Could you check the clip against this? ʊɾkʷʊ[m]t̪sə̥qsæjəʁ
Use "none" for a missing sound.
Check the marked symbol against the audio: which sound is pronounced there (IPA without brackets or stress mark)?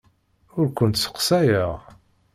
n